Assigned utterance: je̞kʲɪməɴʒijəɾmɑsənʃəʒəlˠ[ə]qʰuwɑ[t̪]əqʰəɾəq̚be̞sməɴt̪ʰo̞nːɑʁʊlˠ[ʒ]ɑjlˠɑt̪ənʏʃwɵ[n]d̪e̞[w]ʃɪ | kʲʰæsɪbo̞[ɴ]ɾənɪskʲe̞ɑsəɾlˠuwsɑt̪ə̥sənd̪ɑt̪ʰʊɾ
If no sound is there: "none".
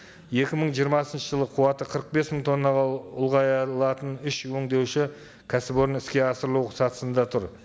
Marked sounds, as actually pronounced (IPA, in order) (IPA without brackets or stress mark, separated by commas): ə, t̪, ʁ, ŋ, w, none